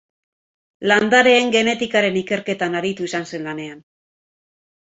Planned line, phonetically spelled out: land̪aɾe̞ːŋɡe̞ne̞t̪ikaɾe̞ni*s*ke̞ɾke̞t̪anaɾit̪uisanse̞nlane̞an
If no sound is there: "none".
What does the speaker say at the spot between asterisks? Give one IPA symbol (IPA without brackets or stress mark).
none